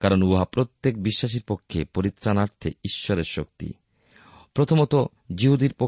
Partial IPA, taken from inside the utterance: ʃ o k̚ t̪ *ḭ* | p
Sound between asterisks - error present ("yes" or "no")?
no